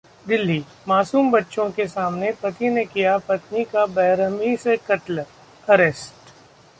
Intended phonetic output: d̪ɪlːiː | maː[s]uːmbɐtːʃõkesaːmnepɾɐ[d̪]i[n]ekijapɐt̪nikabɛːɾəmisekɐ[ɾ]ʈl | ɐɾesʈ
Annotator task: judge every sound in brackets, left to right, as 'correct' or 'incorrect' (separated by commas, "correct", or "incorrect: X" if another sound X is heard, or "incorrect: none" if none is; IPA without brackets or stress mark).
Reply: correct, incorrect: t̪, correct, incorrect: none